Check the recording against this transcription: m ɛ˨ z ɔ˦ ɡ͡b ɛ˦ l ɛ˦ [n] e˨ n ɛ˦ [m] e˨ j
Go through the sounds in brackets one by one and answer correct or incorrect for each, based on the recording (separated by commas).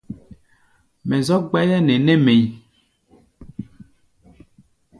correct, correct